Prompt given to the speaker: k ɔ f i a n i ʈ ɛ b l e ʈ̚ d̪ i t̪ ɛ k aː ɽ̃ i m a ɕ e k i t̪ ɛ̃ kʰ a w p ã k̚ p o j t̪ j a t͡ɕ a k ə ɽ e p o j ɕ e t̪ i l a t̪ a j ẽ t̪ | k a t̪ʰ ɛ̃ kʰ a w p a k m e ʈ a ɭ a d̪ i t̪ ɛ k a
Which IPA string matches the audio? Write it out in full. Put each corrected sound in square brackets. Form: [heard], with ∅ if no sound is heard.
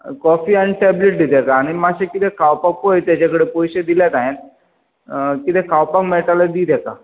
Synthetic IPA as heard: k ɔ f i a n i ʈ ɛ b l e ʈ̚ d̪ i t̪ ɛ k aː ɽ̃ i m a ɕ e k i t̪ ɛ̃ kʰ a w p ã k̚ p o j t̪ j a t͡ɕ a k ə ɽ e p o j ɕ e [d̪] i l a t̪ a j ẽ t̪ | k [i] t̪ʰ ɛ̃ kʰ a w p a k m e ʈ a [l] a d̪ i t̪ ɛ k a